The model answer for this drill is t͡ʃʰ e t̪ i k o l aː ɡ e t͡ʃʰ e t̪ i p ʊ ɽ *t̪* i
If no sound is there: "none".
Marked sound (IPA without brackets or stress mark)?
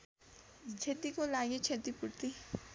t̪